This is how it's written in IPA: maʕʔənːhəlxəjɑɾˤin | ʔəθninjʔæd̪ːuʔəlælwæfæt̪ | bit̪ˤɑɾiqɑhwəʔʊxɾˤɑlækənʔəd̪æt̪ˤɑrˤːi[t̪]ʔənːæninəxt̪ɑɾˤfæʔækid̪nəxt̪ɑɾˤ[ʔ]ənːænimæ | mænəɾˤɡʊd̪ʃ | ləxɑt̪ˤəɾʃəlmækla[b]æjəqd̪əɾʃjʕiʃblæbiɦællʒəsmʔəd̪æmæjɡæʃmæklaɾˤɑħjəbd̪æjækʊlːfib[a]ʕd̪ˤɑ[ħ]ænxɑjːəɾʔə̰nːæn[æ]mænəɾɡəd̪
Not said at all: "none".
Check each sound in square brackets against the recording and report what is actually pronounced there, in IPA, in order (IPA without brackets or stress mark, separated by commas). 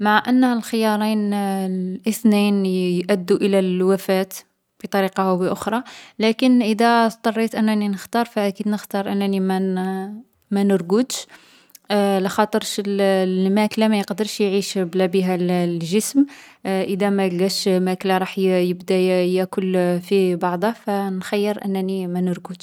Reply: t̪, ʔ, m, ɑ, f, i